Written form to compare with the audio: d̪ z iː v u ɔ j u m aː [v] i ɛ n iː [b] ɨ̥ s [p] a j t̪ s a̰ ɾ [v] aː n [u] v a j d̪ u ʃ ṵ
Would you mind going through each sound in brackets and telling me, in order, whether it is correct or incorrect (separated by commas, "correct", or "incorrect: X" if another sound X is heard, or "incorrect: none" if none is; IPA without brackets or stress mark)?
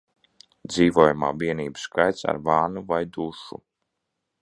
correct, correct, incorrect: k, correct, correct